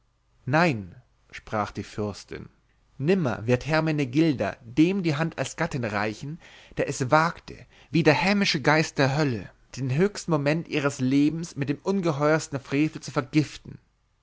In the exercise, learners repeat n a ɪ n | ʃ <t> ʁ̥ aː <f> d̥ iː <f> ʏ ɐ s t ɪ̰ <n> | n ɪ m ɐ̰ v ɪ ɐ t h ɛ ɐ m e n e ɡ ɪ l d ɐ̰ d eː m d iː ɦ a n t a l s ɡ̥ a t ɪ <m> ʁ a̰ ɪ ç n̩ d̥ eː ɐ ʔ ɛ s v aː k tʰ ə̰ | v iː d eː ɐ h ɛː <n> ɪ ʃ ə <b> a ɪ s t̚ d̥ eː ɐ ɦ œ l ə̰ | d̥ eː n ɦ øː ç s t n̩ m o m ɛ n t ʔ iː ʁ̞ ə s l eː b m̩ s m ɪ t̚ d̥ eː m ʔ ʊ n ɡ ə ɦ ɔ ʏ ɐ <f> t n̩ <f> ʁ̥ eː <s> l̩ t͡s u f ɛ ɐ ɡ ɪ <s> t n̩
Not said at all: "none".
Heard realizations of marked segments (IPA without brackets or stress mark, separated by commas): p, χ, f, n, n, m, ɡ, s, f, f, f